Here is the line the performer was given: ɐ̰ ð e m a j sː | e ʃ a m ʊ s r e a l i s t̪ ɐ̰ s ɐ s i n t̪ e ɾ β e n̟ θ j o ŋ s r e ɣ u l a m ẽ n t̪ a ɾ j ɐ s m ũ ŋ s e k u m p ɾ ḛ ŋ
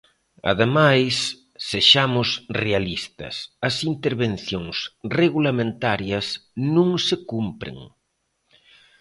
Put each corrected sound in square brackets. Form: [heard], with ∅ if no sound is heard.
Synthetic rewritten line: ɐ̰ ð e m a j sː | e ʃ a m ʊ s r e a l i s t̪ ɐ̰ s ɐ s i n t̪ e ɾ β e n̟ θ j o ŋ s r e ɣ u l a m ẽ n t̪ a ɾ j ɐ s [n] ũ ŋ s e k u m p ɾ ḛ ŋ

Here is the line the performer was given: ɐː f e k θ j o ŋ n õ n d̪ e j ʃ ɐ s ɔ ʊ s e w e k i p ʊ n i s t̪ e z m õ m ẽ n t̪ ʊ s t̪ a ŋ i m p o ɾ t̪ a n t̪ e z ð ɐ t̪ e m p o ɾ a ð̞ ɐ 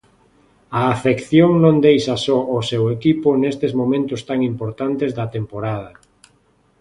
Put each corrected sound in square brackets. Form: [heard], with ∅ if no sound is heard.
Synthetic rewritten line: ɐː f e k θ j o ŋ n õ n d̪ e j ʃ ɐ s ɔ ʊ s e w e k i p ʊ n [e] s t̪ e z m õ m ẽ n t̪ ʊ s t̪ a ŋ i m p o ɾ t̪ a n t̪ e z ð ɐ t̪ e m p o ɾ a ð̞ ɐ

